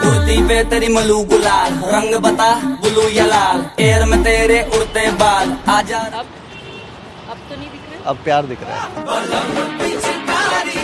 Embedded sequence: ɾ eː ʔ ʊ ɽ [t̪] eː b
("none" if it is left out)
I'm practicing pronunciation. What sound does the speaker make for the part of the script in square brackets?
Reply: t̪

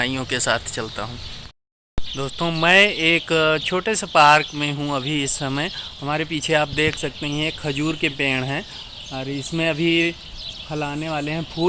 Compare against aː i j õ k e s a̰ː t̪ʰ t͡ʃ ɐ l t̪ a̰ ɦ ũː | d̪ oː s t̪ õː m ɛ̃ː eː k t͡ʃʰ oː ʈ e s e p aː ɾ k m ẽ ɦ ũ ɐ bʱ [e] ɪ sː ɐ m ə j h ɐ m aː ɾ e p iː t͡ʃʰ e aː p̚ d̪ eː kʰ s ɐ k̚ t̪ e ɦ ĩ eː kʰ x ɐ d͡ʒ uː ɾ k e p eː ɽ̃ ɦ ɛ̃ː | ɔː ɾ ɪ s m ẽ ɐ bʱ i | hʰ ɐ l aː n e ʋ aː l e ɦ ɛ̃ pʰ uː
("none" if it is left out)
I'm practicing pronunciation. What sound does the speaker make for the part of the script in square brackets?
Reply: i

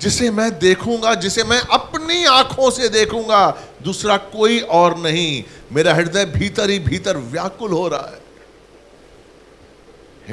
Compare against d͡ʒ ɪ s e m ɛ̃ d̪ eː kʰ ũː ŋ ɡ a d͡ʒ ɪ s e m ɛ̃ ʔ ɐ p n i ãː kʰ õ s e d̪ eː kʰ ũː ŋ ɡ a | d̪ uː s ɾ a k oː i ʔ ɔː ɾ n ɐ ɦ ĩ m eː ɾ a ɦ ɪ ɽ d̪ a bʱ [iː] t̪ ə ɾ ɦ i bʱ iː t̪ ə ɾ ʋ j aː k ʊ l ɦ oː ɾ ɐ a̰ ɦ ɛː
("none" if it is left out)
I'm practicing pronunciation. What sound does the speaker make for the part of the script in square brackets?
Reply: iː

